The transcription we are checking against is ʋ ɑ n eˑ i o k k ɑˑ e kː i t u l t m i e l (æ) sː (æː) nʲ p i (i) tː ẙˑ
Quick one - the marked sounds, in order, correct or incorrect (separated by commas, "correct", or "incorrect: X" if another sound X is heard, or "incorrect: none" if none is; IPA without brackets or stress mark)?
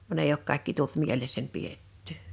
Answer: incorrect: e, incorrect: æ, incorrect: e